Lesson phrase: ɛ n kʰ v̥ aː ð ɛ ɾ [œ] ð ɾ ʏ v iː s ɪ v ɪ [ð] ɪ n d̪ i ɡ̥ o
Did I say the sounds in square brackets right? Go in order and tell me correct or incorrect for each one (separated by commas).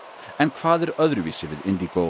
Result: correct, correct